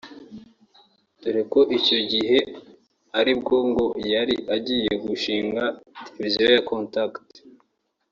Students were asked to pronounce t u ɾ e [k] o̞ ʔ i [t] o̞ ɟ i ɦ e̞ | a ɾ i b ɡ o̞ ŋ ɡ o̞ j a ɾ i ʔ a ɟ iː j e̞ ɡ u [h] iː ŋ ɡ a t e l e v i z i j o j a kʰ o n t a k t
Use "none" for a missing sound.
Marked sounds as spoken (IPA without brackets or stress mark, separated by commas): k, c, ʃ